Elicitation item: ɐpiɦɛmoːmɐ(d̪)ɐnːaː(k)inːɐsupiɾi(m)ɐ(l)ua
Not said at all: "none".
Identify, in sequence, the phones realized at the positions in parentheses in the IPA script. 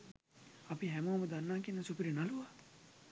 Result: d̪, k, n, l

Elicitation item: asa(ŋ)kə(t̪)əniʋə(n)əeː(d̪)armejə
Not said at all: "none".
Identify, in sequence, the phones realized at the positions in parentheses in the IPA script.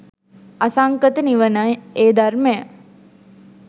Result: ŋ, t̪, n, d̪

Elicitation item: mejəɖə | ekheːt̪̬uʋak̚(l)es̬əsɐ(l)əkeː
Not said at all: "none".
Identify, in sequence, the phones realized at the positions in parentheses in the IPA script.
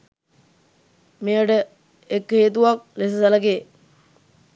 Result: l, l

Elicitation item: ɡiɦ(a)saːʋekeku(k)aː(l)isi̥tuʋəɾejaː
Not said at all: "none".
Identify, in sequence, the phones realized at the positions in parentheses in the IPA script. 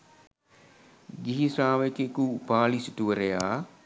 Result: i, p, l

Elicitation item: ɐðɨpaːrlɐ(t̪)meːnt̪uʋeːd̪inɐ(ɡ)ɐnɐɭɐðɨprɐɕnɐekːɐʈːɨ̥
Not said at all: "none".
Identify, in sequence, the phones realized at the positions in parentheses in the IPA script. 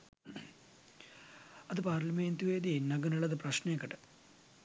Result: none, ɡ

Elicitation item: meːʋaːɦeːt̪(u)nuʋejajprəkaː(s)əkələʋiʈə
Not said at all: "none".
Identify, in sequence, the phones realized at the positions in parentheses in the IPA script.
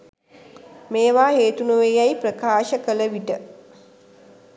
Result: u, ʃ

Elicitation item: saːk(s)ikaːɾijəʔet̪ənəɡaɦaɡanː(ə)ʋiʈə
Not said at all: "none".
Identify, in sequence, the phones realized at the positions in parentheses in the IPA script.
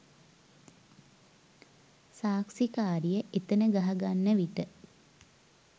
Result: s, ə

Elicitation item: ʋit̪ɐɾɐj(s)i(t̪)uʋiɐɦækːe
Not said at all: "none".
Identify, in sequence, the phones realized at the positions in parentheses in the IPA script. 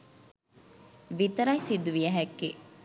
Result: s, d̪

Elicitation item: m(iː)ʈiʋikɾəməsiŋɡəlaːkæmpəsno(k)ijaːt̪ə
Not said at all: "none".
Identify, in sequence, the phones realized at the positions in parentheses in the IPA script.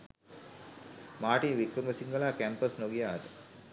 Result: aː, ɡ

